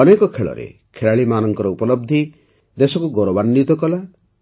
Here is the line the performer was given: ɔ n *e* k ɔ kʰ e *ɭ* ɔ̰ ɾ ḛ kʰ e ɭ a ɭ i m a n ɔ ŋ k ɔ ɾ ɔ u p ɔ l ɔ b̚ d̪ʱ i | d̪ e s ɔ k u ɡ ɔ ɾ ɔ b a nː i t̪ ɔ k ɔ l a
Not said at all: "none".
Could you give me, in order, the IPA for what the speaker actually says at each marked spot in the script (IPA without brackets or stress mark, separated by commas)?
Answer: e, ɭ